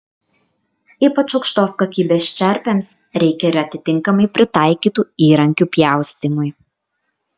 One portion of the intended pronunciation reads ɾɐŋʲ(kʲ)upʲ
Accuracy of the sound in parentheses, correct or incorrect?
correct